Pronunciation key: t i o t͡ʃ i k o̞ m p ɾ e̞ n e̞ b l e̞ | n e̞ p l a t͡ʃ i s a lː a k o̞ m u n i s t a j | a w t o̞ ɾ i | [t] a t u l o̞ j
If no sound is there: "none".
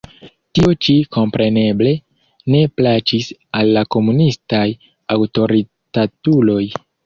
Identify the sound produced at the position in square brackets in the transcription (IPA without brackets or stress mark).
t